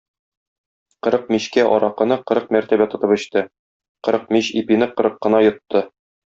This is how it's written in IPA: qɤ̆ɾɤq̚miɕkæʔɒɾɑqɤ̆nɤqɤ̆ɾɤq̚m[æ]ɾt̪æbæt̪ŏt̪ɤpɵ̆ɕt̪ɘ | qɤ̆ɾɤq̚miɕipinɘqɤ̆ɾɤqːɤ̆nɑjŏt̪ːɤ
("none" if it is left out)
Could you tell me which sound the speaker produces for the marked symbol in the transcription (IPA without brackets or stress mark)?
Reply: æ